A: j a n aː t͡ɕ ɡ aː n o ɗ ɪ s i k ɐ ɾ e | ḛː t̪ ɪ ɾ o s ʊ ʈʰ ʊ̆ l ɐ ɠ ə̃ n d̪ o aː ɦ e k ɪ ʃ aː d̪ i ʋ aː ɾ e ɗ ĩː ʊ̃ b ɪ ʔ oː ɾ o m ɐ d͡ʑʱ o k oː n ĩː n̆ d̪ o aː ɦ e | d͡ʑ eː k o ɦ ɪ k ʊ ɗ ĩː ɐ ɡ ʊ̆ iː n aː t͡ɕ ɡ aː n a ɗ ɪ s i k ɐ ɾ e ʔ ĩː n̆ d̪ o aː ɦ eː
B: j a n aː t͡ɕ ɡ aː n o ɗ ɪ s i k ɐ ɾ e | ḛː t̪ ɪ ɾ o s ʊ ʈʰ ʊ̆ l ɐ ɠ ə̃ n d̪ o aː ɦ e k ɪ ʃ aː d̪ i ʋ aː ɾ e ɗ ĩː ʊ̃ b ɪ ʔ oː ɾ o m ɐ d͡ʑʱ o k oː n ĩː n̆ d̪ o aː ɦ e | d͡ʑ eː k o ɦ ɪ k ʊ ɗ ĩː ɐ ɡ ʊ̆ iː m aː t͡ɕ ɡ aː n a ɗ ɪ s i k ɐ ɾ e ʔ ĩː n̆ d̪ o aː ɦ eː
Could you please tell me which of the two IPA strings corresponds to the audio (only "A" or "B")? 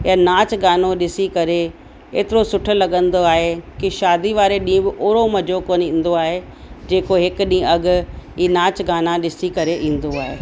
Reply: A